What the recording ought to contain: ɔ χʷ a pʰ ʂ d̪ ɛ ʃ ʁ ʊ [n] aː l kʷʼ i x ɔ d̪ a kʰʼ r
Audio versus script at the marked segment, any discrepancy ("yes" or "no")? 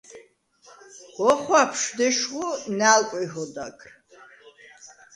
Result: no